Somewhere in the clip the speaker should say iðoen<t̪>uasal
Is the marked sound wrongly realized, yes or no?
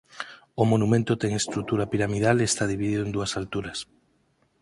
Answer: yes